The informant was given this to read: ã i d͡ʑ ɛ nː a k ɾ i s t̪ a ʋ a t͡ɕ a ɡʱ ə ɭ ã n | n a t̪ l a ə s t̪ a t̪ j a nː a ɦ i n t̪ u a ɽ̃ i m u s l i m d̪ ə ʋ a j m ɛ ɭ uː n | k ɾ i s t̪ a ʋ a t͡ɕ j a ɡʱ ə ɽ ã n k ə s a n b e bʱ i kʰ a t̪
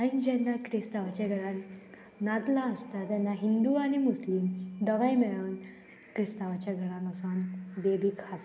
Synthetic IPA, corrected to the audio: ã i d͡ʑ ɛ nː a k ɾ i s t̪ a ʋ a t͡ɕ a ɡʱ ə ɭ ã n | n a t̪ l a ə s t̪ a t̪ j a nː a ɦ i n d̪ u a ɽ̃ i m u s l i m d̪ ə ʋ a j m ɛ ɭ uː n | k ɾ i s t̪ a ʋ a t͡ɕ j a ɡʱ ə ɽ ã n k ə s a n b e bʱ i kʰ a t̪